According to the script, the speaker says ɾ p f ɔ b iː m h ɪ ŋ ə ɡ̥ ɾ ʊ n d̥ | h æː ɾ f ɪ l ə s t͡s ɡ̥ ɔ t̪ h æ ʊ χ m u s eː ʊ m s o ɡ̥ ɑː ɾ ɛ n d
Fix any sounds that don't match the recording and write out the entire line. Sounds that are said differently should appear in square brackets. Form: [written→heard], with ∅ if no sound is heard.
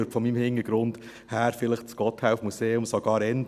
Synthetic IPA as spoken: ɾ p f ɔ [b→m] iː m h ɪ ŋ ə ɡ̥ ɾ ʊ n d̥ | h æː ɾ f ɪ l ə [s→χ] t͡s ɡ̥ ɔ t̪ h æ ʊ [χ→f] m u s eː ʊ m s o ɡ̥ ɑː ɾ ɛ n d